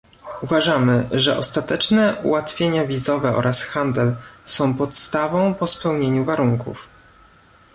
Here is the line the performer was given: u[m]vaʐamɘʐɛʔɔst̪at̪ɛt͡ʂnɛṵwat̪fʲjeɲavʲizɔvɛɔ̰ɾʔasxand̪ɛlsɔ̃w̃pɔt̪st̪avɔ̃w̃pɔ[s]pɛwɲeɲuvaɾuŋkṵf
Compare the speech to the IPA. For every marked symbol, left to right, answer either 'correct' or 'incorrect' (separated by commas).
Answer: incorrect, correct